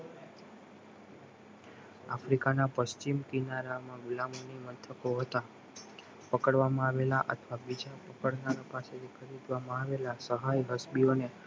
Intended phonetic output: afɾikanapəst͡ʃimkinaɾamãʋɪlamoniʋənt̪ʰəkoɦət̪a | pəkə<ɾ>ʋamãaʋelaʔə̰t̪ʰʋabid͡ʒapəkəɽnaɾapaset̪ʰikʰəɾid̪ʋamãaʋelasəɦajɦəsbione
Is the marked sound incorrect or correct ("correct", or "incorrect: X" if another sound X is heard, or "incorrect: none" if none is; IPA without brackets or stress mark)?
incorrect: ɽ